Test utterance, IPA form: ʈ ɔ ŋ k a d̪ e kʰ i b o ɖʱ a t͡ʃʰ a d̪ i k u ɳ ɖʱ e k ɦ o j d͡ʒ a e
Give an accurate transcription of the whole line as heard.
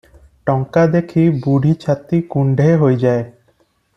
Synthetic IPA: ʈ ɔ ŋ k a d̪ e kʰ i b u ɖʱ i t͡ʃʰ a t̪ i k u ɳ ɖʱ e ɦ o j d͡ʒ a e